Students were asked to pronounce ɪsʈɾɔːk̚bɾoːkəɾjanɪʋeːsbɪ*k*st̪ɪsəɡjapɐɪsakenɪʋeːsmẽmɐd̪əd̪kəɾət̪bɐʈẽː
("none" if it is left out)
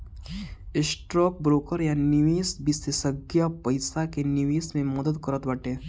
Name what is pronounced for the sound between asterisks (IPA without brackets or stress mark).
none